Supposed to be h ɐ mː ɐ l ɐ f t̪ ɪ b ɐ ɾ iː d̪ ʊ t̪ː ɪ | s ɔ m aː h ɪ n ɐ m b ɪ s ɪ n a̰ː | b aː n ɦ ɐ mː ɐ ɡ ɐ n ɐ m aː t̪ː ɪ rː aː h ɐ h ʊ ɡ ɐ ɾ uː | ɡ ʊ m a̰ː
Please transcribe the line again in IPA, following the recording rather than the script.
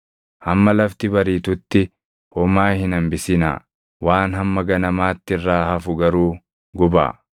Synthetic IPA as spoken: h ɐ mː ɐ l ɐ f t̪ ɪ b ɐ ɾ iː t̪ ʊ t̪ː ɪ | h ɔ m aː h ɪ n ɐ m b ɪ s ɪ n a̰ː | w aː n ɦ ɐ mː ɐ ɡ ɐ n ɐ m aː t̪ː ɪ rː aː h ɐ f ʊ ɡ ɐ ɾ uː | ɡ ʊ b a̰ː